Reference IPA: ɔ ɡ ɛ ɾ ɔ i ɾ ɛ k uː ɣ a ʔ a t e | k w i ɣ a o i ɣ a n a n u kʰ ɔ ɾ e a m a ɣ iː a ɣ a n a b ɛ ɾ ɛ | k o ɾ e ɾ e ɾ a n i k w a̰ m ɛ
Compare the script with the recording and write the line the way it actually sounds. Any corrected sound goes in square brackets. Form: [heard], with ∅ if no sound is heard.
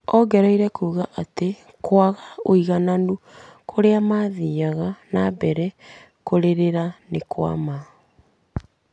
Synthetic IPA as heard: ɔ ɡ ɛ ɾ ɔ i ɾ ɛ k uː ɣ a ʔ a t e | k w [a] ɣ a o i ɣ a n a n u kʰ [o] ɾ e a m a [ð] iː a ɣ a n a b ɛ ɾ ɛ | k o ɾ e ɾ e ɾ a n [e] k w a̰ m [a]